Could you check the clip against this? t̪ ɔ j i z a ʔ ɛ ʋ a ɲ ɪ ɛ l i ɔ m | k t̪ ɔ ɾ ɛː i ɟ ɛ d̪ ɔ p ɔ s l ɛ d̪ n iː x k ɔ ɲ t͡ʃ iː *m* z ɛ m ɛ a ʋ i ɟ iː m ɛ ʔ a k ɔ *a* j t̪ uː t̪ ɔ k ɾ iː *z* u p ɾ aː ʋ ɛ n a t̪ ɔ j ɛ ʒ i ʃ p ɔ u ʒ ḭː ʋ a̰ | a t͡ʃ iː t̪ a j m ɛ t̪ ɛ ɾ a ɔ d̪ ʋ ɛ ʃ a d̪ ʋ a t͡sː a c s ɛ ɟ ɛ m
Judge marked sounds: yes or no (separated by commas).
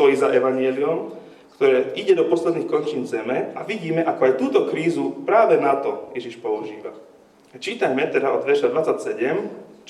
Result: no, yes, yes